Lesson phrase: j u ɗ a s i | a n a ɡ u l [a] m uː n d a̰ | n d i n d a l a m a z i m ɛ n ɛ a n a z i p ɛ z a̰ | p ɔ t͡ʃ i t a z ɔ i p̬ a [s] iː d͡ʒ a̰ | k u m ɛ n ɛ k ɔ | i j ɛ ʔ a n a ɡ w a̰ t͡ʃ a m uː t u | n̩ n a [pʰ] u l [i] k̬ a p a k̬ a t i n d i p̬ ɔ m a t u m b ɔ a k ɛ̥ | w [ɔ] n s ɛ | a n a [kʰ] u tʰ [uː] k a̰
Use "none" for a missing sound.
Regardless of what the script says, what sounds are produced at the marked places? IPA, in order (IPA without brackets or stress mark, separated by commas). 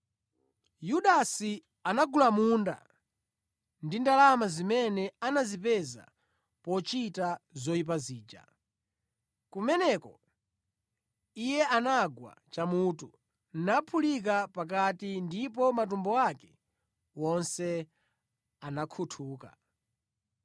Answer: a, z, pʰ, i, ɔ, kʰ, uː